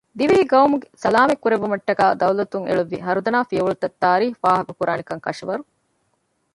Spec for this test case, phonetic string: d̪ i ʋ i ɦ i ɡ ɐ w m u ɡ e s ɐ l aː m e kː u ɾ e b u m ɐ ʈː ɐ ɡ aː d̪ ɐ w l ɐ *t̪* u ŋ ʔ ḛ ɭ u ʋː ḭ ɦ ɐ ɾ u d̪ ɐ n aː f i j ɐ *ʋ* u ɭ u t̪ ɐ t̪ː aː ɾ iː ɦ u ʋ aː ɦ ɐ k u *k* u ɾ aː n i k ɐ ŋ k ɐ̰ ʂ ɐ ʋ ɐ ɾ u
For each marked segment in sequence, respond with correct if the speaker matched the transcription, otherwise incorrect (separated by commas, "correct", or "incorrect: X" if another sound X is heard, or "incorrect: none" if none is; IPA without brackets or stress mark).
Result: correct, correct, correct